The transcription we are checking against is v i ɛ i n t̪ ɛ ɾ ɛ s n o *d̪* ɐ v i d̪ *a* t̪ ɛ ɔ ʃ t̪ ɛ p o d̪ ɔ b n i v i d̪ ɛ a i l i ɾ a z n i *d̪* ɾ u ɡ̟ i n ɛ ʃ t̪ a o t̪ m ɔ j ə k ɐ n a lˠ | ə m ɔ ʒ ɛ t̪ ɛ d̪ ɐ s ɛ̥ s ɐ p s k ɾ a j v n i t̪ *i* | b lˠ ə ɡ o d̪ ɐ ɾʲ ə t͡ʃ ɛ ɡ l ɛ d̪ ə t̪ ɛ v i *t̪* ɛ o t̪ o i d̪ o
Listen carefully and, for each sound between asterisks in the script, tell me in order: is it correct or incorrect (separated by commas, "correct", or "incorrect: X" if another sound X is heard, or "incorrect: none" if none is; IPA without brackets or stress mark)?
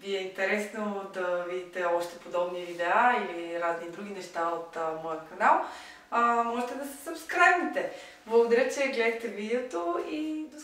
correct, incorrect: i, correct, incorrect: ɛ, incorrect: d̪